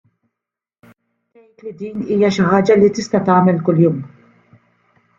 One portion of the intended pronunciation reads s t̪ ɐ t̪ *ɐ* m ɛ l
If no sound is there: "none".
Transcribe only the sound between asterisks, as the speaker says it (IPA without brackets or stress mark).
ɐː